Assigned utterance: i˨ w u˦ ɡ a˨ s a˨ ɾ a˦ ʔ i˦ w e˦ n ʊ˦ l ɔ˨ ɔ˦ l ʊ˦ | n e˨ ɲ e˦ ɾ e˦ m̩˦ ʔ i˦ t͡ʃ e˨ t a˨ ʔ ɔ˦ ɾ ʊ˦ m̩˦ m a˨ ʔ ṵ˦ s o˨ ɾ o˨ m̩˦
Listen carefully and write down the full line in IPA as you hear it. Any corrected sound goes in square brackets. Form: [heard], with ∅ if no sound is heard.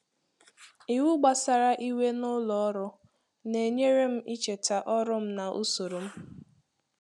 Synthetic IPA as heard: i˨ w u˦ [ɡ͡b] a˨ s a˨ ɾ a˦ ʔ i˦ w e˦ n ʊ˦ l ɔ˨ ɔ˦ [ɾ] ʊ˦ | n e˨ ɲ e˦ ɾ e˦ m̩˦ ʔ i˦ t͡ʃ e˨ t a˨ ʔ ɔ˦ ɾ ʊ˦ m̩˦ [n] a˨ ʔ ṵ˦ s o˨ ɾ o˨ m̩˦